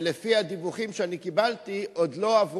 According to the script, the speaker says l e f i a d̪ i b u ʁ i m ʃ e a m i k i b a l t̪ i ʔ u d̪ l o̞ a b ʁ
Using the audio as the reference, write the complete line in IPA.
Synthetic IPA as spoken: l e f i a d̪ i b u χ i m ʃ e a n i k i b a l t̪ i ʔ o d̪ l o̞ a v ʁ